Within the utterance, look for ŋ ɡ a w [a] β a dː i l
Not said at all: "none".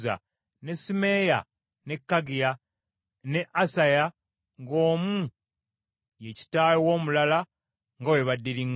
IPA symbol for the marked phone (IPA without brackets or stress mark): e